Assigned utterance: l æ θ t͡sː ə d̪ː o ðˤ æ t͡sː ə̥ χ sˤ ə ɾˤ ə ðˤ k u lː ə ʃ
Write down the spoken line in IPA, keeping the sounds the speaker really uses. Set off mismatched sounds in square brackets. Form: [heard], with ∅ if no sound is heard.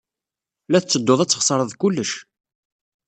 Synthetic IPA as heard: l æ θ t͡sː ə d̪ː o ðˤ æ t͡sː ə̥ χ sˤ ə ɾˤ ə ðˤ k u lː ə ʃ

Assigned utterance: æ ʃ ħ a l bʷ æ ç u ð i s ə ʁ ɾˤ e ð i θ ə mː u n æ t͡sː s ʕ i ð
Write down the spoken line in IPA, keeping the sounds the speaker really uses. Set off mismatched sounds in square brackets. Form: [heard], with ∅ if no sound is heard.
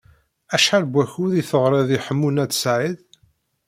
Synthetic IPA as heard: æ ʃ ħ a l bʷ æ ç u ð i [θ] ə ʁ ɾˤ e ð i [ħ] ə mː u n æ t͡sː s ʕ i ð

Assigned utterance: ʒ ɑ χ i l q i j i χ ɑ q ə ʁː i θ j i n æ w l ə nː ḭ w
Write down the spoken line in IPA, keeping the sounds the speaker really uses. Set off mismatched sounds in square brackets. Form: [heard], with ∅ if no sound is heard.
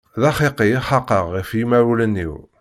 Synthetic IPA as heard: [ð] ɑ χ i [∅] q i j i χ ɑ q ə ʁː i [f] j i [m] æ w l ə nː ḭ w

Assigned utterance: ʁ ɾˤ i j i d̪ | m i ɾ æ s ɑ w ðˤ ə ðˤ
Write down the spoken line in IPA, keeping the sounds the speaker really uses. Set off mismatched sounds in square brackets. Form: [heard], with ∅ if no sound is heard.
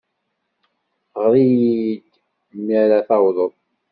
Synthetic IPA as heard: ʁ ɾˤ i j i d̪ | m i ɾ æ [θ] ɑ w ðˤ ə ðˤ

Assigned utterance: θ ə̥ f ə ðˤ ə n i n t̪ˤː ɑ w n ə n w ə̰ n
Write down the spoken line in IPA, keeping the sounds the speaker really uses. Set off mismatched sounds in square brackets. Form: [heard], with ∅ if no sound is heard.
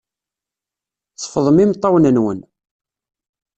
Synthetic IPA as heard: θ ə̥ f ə ðˤ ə [m] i [m] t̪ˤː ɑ w n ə n w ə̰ n

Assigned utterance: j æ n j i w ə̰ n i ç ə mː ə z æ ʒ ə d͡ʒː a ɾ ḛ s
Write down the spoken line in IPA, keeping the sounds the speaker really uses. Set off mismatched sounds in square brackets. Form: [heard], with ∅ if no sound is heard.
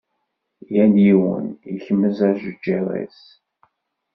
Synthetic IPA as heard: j æ n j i w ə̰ n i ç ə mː ə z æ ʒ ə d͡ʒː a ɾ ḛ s

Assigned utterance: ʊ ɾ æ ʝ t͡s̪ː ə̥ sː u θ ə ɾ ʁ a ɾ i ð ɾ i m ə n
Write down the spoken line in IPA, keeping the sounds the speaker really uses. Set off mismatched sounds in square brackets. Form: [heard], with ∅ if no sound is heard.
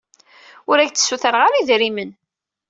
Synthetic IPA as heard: ʊ ɾ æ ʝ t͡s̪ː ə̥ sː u θ ə ɾ ʁ a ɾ i ð ɾ i m ə n

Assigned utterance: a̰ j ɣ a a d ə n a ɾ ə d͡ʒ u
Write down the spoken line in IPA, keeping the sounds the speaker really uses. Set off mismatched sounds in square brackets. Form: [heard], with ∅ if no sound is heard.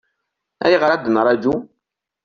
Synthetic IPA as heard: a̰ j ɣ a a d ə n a ɾ [a] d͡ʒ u

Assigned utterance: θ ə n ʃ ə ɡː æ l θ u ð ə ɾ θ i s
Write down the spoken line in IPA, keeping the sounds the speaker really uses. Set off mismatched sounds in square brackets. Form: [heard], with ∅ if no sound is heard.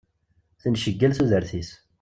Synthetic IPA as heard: θ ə n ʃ ə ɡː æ l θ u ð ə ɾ θ i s

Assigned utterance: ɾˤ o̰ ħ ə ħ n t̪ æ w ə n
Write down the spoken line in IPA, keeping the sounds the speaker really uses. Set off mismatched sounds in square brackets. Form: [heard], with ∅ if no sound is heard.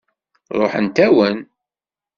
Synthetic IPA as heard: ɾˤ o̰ ħ ə [∅] n t̪ æ w ə n

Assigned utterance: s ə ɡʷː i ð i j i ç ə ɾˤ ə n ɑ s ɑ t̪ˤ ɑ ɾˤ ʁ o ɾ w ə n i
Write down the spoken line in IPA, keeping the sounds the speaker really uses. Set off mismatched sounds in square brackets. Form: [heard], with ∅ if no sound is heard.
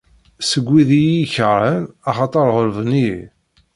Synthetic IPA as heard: s ə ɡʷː i ð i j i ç ə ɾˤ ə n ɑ [χ] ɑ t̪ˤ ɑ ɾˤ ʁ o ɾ [v] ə n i

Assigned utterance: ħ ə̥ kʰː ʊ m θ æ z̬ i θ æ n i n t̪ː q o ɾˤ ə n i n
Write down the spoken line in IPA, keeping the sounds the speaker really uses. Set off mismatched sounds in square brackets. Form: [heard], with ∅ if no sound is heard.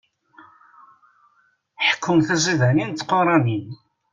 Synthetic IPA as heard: ħ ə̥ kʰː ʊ m θ æ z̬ i [ð] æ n i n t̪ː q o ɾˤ [ɑ] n i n

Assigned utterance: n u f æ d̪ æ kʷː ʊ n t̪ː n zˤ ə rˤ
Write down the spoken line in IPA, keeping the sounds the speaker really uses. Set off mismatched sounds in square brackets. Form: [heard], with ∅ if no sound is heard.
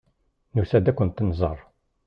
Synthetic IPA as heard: n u [s] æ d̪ æ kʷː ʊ n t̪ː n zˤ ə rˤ

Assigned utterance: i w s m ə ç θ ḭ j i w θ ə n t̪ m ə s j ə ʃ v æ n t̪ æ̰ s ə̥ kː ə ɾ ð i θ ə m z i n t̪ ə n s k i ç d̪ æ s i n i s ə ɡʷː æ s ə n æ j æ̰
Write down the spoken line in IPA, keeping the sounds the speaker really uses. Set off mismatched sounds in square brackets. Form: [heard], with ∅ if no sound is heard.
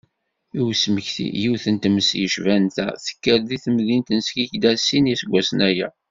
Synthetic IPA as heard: i w s m ə ç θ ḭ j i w θ ə n t̪ m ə s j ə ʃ v æ n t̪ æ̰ [θ] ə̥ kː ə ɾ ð i θ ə m [ð] i n t̪ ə n s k i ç d̪ æ s i n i s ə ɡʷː æ s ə n æ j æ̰

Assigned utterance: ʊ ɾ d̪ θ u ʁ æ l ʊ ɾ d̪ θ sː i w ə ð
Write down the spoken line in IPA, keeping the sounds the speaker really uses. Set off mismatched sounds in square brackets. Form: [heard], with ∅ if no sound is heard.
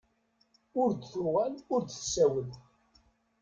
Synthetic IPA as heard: ʊ ɾ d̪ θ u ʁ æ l ʊ ɾ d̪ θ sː [æ] w ə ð

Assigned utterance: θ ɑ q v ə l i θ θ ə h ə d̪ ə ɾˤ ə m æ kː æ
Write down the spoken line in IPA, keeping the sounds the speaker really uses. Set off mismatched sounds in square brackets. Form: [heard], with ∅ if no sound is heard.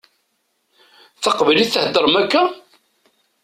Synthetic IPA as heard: θ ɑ q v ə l i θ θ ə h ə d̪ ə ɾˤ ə m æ kː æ

